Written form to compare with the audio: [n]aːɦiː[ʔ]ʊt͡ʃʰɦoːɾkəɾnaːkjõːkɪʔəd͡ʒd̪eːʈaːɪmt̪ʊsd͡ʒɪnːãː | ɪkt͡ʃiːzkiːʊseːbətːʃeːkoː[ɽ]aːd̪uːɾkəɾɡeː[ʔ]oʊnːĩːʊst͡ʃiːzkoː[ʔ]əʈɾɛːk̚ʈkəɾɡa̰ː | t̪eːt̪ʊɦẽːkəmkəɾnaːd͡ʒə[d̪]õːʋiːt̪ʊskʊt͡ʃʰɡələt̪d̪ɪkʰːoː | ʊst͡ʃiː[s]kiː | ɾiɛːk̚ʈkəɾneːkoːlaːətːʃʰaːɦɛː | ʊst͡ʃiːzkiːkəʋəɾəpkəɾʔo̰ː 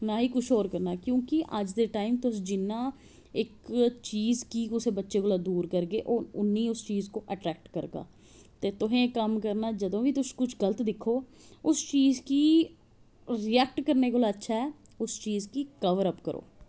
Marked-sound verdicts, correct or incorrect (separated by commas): correct, incorrect, incorrect, correct, correct, correct, incorrect